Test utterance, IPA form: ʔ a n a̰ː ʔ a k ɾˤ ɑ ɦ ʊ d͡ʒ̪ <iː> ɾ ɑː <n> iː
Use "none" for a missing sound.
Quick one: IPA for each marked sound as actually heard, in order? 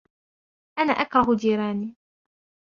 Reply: iː, n

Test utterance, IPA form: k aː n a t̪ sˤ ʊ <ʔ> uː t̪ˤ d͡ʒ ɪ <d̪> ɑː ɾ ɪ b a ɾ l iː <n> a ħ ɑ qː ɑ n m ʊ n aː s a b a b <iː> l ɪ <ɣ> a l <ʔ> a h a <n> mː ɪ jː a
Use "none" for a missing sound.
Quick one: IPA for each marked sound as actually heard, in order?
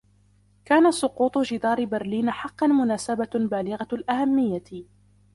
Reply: q, d̪, n, aː, ɣ, ʔ, none

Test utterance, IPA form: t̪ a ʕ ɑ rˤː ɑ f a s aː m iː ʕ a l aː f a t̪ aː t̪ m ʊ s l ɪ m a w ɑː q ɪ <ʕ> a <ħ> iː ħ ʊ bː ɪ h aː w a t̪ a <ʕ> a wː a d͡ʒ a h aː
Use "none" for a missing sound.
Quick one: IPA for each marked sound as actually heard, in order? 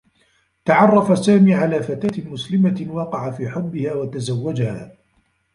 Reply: ʕ, f, z

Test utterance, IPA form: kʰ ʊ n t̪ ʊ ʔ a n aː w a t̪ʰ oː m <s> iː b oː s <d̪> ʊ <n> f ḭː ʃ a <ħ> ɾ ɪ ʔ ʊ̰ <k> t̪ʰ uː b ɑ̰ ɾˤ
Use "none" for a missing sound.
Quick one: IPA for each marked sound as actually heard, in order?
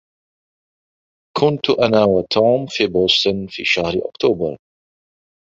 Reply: f, t̪, n, h, k

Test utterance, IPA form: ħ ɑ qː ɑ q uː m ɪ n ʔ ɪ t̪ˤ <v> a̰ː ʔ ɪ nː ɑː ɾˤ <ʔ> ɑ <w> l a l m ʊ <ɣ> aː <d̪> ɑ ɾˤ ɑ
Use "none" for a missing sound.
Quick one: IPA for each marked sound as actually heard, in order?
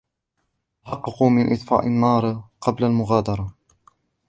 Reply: f, q, b, ɣ, d̪

